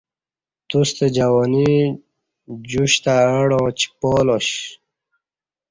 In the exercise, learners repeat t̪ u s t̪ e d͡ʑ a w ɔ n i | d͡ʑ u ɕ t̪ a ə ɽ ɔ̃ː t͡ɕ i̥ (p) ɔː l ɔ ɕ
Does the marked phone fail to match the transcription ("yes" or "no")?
no